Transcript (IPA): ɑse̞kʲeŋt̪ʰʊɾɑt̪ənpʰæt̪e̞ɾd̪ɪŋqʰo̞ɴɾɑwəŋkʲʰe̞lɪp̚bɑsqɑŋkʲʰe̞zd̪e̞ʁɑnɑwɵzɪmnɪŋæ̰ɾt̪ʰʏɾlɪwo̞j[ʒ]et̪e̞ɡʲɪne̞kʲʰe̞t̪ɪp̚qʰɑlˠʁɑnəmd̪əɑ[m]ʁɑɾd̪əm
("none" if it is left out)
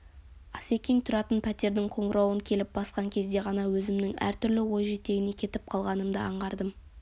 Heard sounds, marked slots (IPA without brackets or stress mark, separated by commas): ʒ, ɴ